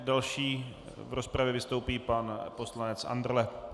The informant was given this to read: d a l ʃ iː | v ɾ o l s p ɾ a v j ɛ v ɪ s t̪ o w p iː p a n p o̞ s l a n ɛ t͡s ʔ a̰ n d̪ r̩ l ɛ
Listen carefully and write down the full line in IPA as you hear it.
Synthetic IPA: d a l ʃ iː | v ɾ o s p ɾ a v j ɛ v ɪ s t̪ o w p iː p a n p o̞ s l a n ɛ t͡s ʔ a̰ n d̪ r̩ l ɛ